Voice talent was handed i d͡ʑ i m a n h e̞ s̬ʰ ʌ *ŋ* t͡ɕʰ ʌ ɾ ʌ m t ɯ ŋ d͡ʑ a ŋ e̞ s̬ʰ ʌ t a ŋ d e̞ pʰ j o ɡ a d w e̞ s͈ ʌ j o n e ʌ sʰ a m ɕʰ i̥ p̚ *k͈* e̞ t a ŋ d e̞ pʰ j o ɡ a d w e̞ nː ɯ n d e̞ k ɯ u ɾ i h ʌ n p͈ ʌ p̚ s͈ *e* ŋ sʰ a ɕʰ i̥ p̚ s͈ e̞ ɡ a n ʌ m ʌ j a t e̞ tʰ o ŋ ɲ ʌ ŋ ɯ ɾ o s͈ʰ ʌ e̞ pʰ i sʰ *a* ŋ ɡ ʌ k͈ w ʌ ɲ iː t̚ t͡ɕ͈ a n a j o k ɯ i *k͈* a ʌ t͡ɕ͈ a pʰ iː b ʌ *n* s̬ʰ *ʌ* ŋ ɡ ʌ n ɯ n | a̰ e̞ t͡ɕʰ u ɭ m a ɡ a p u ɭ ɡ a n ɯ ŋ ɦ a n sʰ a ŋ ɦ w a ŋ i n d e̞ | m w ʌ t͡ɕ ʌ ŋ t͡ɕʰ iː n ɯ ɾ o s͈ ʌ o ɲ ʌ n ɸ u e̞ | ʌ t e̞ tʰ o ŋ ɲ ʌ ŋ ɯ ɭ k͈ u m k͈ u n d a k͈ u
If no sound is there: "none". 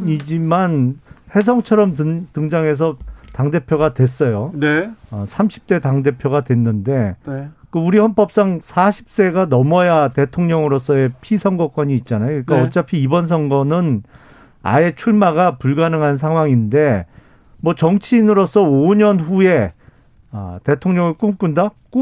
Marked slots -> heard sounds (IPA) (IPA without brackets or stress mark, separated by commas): ŋ, t͈, a, ʌ, k͈, n, ʌ